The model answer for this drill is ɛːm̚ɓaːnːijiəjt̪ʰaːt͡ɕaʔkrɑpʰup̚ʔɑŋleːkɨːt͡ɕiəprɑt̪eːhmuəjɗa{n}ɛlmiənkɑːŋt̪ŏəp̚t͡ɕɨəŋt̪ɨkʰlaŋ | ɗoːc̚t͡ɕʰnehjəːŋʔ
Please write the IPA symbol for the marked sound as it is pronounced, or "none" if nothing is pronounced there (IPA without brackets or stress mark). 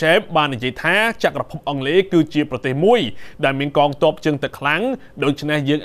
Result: none